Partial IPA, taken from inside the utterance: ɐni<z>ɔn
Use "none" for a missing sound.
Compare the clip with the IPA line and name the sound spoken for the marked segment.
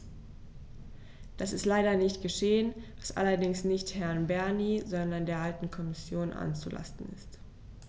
z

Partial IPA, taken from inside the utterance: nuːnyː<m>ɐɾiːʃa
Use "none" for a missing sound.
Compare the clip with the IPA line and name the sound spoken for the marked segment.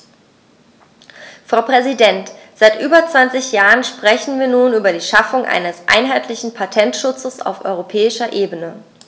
b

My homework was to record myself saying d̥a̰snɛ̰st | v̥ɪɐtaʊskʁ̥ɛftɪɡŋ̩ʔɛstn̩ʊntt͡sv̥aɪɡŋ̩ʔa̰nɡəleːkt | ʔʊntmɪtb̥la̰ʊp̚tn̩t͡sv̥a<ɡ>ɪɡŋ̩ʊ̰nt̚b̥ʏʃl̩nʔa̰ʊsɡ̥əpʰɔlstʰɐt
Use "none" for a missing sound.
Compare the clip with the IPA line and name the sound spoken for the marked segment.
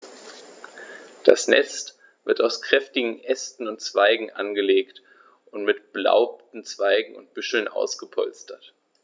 none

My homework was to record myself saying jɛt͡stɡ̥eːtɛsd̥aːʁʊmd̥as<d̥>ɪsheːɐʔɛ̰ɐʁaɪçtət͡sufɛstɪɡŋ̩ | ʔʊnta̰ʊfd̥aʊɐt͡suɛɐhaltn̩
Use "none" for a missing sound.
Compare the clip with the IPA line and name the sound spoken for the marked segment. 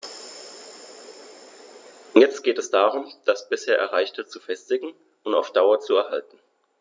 b̥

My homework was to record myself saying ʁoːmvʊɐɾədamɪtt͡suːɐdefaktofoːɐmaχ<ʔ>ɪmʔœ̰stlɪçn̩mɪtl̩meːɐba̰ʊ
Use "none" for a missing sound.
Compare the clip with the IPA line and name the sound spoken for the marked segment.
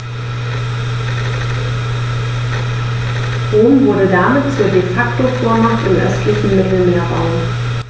t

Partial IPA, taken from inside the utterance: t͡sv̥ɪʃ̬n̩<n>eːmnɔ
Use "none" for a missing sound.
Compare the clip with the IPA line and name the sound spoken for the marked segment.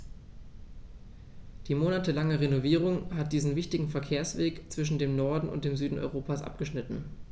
d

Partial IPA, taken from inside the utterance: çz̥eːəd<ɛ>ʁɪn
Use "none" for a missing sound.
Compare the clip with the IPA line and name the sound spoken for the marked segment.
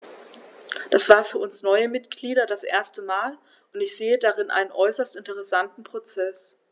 a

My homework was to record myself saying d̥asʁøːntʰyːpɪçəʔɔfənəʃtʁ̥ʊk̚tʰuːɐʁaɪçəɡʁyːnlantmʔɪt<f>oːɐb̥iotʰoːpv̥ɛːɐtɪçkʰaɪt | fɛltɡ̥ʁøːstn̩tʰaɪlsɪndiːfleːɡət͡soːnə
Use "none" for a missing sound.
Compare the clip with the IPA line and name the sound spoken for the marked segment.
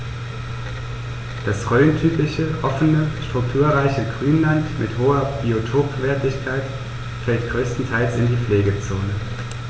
h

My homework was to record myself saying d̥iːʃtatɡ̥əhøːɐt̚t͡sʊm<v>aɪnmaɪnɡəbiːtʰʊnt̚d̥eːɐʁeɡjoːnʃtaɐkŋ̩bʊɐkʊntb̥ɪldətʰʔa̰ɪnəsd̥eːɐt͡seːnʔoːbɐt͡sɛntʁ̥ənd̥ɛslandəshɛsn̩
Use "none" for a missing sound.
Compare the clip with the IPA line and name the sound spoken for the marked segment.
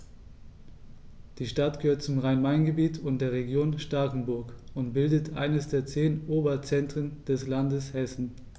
ʁ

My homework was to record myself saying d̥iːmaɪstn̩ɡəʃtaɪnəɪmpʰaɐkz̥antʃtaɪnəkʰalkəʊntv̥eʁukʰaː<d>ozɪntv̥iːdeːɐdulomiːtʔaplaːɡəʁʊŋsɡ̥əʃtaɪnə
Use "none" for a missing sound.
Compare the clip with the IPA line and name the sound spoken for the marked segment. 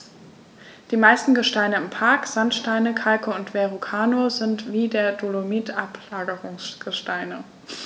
n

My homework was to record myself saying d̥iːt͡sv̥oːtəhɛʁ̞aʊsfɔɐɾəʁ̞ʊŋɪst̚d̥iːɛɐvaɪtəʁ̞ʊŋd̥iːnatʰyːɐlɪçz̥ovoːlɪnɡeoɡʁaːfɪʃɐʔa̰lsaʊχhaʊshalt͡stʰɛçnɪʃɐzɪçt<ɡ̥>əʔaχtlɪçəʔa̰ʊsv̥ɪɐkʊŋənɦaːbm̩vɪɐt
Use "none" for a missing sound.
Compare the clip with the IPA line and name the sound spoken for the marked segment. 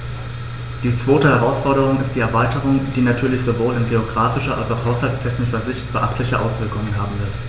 b̥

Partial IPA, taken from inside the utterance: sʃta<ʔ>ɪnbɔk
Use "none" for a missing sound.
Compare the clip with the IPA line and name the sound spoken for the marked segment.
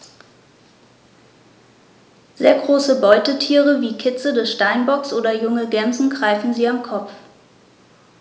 none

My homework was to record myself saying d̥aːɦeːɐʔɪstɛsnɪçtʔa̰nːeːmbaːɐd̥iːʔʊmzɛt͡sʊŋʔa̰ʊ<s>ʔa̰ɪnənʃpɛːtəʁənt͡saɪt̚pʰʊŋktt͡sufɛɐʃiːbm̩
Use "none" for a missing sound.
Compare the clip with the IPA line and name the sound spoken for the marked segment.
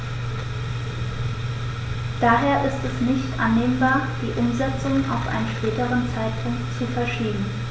f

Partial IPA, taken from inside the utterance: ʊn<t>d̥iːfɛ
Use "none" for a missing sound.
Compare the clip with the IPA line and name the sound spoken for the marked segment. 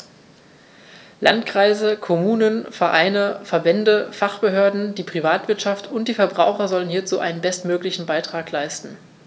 t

